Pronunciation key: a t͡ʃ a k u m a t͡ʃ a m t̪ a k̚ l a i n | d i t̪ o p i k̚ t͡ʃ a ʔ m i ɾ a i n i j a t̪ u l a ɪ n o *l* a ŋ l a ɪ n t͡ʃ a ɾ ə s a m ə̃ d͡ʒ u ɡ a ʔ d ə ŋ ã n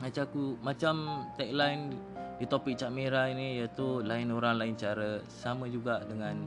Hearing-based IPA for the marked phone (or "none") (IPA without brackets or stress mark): ɾ